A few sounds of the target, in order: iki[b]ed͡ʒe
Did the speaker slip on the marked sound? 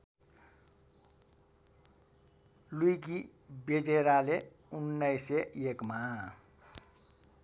no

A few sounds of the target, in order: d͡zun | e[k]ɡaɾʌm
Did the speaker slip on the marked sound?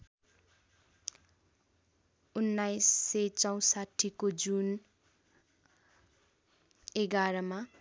yes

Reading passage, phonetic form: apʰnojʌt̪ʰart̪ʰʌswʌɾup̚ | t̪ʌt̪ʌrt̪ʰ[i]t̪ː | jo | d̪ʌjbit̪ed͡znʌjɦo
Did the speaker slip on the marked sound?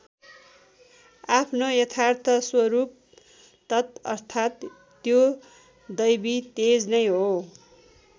yes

